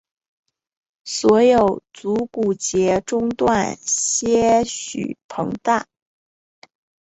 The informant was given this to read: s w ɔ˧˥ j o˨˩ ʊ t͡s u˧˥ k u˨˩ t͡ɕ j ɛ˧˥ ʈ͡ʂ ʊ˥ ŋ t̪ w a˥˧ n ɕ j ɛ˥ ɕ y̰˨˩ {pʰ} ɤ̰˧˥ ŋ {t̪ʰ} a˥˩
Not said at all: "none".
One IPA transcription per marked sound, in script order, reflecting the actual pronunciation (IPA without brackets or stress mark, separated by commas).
pʰ, t̪